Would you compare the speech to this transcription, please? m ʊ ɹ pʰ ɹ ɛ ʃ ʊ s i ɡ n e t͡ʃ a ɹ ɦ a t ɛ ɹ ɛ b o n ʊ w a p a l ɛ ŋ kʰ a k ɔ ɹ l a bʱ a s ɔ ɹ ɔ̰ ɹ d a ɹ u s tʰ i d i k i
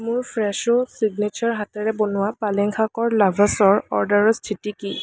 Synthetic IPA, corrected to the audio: m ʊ ɹ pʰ ɹ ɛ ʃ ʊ s i ɡ n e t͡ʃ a ɹ ɦ a t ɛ ɹ ɛ b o n ʊ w a p a l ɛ ŋ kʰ a k ɔ ɹ l a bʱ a s ɔ ɹ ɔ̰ ɹ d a ɹ ɔ s tʰ i t i k i

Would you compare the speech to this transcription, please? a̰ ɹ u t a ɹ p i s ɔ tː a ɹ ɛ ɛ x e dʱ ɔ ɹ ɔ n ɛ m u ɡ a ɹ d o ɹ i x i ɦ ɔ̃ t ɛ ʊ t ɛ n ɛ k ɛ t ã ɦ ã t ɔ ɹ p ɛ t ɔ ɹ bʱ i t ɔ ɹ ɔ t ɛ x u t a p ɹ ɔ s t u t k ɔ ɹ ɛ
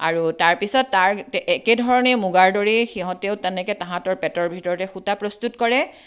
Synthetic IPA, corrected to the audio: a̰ ɹ u t a ɹ p i s ɔ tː a ɹ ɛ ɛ k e dʱ ɔ ɹ ɔ n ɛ m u ɡ a ɹ d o ɹ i x i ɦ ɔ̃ t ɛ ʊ t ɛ n ɛ k ɛ t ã ɦ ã t ɔ ɹ p ɛ t ɔ ɹ bʱ i t ɔ ɹ ɔ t ɛ x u t a p ɹ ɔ s t u t k ɔ ɹ ɛ

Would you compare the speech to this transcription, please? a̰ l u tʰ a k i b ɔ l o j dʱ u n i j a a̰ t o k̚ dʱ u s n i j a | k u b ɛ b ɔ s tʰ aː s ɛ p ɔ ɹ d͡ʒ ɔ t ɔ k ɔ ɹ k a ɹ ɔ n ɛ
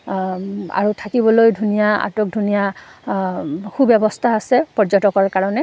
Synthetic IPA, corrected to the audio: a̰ ɹ u tʰ a k i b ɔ l o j dʱ u n i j a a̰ t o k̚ dʱ u n i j a | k u b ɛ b ɔ s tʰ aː s ɛ p ɔ ɹ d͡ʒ ɔ t ɔ k ɔ ɹ k a ɹ ɔ n ɛ

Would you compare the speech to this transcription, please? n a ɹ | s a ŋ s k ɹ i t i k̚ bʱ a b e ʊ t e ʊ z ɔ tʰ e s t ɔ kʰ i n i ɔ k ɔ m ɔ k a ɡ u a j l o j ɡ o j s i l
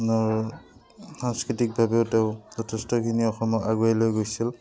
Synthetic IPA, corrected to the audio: n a ɹ | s a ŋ s k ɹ i t i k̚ bʱ a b e ʊ t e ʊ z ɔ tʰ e s t ɔ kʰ i n i ɔ x ɔ m ɔ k a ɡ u a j l o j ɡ o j s i l

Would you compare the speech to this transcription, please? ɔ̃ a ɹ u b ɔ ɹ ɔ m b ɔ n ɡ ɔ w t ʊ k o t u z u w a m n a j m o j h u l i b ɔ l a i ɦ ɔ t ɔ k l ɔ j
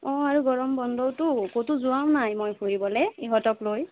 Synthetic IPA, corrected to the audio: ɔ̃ a ɹ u ɡ ɔ ɹ ɔ m b ɔ n d ɔ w t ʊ k o t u z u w a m n a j m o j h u ɹ i b ɔ l ɛ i ɦ ɔ t ɔ k l o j

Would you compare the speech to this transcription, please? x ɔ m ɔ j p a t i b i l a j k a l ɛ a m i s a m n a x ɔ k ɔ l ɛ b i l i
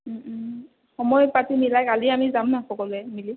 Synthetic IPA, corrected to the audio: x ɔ m ɔ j p a t i m i l a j k a l i a m i z a m n a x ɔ k ɔ l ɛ m i l i

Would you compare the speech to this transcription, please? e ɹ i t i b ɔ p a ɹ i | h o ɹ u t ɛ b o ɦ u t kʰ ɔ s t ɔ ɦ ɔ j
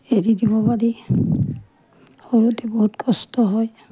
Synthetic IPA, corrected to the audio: e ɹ i d i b ɔ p a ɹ i | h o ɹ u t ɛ b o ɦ u t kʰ ɔ s t ɔ ɦ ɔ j

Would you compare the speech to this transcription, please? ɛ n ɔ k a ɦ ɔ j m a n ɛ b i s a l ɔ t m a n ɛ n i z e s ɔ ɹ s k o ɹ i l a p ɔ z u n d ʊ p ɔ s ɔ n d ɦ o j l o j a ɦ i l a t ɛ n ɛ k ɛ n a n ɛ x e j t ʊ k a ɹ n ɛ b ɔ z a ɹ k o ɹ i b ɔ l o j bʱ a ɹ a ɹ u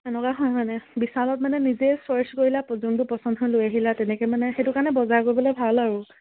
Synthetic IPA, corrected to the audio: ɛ n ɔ k a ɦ ɔ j m a n ɛ b i s a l ɔ t m a n ɛ n i z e s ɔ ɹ s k o ɹ i l a p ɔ z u n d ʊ p ɔ s ɔ n d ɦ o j l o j a ɦ i l a t ɛ n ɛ k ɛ m a n ɛ x e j t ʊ k a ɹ n ɛ b ɔ z a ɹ k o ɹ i b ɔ l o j bʱ a l a ɹ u

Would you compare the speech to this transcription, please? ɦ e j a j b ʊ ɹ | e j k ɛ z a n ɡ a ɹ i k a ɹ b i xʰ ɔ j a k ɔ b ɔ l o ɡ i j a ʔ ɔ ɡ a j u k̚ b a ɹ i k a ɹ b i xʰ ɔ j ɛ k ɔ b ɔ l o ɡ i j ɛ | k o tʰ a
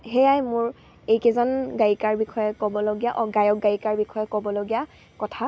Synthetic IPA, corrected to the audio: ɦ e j a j m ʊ ɹ | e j k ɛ z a n ɡ a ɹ i k a ɹ b i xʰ ɔ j ɛ k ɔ b ɔ l o ɡ i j a ʔ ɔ ɡ a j ɔ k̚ ɡ a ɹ i k a ɹ b i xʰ ɔ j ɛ k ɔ b ɔ l o ɡ i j a | k ɔ tʰ a

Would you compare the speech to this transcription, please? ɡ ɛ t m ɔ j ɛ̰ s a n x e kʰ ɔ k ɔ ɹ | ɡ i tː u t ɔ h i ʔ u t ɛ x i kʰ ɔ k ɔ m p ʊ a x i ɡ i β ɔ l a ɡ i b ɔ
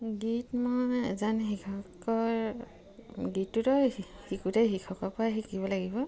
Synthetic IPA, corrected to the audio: ɡ i t m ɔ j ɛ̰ z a n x i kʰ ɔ k ɔ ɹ | ɡ i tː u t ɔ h i k u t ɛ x i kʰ ɔ k ɔ p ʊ a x i k i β ɔ l a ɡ i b ɔ

